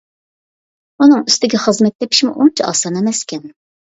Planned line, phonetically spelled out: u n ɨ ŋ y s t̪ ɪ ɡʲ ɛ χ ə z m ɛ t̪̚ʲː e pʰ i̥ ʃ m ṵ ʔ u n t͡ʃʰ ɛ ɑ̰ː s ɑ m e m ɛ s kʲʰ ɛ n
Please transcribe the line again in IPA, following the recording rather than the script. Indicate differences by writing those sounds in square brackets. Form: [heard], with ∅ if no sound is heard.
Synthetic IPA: u n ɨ ŋ y s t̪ ɪ ɡʲ ɛ χ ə z m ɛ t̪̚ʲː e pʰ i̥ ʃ m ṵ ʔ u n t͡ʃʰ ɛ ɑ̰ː s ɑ [n] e m ɛ s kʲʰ ɛ n

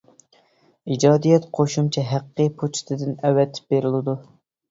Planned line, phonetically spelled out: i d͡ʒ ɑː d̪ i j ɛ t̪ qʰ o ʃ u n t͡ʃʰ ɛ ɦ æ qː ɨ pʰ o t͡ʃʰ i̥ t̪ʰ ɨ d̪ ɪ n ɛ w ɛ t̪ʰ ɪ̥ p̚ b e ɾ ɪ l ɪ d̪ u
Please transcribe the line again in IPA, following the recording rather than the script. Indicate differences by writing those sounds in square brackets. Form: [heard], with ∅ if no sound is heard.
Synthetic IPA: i d͡ʒ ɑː d̪ i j ɛ t̪ qʰ o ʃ u [m] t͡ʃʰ ɛ ɦ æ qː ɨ pʰ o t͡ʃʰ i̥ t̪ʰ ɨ d̪ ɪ n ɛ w ɛ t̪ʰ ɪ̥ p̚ b e ɾ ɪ l ɪ d̪ u

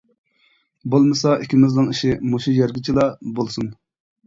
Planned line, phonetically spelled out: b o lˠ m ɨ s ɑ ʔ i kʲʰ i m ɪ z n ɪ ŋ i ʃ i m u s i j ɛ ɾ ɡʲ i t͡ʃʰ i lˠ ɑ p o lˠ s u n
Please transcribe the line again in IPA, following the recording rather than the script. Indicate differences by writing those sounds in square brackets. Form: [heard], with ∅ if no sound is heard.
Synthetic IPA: b o lˠ m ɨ s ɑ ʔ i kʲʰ i m ɪ z n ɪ ŋ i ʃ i m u [ʃ] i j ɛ ɾ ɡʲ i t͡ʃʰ i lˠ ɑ [b] o lˠ s u n

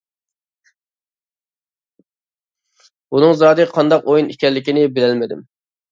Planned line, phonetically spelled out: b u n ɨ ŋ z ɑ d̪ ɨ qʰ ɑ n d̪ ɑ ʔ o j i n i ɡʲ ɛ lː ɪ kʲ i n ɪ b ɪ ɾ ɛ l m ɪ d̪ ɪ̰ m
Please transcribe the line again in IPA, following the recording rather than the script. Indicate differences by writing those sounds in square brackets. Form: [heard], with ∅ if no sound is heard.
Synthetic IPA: b u n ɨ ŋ z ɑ d̪ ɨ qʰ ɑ n d̪ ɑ [q] o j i n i [kʲ] ɛ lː ɪ kʲ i n ɪ b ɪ [l] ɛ l m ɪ d̪ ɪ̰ m

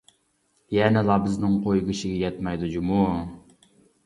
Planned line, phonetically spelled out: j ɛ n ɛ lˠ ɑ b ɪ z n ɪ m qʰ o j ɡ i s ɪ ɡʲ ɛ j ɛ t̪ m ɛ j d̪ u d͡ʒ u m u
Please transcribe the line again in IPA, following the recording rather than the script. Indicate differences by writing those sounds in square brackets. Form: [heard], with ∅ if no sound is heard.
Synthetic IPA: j ɛ n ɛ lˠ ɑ b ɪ z n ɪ [ŋ] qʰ o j ɡ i [ʃ] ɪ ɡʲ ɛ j ɛ t̪ m ɛ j d̪ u d͡ʒ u m u

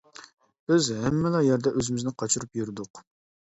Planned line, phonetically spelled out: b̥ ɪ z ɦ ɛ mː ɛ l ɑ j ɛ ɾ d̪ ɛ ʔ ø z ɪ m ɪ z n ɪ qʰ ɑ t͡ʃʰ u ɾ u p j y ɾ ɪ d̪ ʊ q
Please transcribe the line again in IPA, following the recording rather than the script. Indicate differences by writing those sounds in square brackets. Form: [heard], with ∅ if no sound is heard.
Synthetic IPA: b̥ ɪ z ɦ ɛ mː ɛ l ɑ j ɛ ɾ d̪ ɛ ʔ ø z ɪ m ɪ z n ɪ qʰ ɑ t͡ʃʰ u ɾ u p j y ɾ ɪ d̪ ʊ q

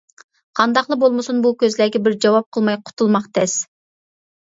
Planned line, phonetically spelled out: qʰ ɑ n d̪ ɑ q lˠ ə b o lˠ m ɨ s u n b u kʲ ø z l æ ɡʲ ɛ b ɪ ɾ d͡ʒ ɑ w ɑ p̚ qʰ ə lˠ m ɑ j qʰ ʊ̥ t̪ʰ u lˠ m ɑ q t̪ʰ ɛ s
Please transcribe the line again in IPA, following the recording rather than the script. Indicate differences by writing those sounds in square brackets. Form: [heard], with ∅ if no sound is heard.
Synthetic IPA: qʰ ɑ n d̪ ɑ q lˠ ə b o lˠ m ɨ s u n b u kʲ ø z l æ ɡʲ ɛ b ɪ ɾ d͡ʒ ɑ w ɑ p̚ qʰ ə lˠ m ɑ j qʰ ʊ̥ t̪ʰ u lˠ m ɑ q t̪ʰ ɛ s

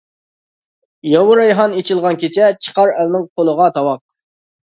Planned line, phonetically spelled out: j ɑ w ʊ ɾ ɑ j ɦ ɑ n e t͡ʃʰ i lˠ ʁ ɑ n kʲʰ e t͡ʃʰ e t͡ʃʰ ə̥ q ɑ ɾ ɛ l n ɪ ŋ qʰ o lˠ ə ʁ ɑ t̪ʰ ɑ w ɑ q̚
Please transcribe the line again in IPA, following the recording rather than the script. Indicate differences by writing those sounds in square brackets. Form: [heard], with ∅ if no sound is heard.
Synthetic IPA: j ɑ w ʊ ɾ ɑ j ɦ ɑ n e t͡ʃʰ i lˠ ʁ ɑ n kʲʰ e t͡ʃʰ [ɛ] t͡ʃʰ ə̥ q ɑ ɾ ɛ l n ɪ ŋ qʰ o lˠ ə ʁ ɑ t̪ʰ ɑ w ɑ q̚

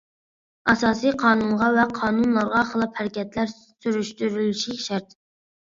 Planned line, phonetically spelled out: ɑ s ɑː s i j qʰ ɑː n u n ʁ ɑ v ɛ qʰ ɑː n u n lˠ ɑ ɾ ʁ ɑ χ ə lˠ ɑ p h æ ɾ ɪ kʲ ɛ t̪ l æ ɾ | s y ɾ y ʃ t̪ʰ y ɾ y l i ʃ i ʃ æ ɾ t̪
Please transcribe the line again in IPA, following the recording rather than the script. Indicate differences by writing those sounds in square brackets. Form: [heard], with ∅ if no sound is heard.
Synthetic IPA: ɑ s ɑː s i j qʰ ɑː n u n ʁ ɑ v ɛ qʰ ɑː n u n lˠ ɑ ɾ ʁ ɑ χ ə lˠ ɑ p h æ ɾ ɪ kʲ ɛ t̪ l æ ɾ | s y ɾ y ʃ [t̪] y ɾ y l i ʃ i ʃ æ ɾ t̪

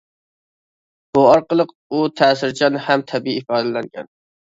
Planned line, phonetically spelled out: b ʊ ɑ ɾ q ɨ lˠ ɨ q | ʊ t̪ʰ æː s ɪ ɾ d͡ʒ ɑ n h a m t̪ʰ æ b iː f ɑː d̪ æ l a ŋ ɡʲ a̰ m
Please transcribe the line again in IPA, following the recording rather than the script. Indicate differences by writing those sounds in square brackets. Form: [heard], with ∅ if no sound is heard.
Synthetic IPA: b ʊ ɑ ɾ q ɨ lˠ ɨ q | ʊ t̪ʰ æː s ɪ ɾ d͡ʒ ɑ n h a m t̪ʰ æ b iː f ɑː d̪ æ l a ŋ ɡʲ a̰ [n]

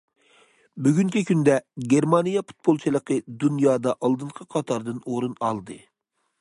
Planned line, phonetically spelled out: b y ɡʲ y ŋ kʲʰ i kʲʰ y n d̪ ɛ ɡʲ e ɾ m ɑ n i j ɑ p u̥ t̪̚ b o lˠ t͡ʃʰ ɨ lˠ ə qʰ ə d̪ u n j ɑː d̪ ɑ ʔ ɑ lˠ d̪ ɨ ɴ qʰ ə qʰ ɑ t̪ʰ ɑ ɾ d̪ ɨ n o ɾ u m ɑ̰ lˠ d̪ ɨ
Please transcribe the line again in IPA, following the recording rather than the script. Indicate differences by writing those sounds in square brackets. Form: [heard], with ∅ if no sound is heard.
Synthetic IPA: b y ɡʲ y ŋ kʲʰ i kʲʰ y n d̪ ɛ ɡʲ e ɾ m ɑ n i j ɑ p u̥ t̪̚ b o lˠ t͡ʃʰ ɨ lˠ ə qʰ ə d̪ u n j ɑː d̪ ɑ ʔ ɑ lˠ d̪ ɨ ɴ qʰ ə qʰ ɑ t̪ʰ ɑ ɾ d̪ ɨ n o ɾ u [n] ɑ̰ lˠ d̪ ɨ

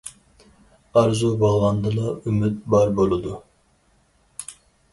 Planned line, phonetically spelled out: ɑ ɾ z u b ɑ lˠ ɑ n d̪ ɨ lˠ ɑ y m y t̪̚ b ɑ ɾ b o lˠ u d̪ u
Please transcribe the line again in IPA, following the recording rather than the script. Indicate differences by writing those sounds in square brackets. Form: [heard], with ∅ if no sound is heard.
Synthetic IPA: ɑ ɾ z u b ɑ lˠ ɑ n d̪ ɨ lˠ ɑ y m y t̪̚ b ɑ ɾ b o lˠ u d̪ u

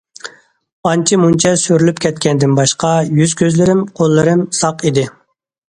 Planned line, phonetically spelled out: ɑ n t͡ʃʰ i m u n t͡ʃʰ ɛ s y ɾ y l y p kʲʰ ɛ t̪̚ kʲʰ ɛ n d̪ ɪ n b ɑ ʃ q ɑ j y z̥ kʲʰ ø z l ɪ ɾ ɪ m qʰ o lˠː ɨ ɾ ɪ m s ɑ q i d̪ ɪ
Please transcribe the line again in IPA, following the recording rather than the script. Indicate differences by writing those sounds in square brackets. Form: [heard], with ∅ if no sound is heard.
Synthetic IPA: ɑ n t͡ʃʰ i m u n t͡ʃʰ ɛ s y ɾ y l y p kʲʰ ɛ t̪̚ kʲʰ ɛ n d̪ ɪ n b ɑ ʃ q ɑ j y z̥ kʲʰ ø z l ɪ ɾ ɪ m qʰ o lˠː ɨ ɾ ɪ m s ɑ q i d̪ ɪ

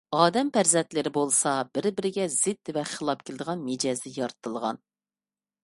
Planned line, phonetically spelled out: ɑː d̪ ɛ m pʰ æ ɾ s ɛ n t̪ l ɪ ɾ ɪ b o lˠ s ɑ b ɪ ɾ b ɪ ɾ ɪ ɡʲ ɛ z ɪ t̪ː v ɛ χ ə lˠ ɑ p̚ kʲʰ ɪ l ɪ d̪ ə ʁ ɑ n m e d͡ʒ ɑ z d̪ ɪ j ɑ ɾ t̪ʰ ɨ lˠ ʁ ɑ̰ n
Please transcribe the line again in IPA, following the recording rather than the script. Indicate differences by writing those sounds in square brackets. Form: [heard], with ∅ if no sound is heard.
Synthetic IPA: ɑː d̪ ɛ m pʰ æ ɾ [z] ɛ n t̪ l ɪ ɾ ɪ b o lˠ s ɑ b ɪ ɾ b ɪ ɾ ɪ ɡʲ ɛ z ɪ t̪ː v ɛ χ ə lˠ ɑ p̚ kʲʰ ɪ l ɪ d̪ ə ʁ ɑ n m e d͡ʒ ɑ z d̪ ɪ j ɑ ɾ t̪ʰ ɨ lˠ ʁ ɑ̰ n

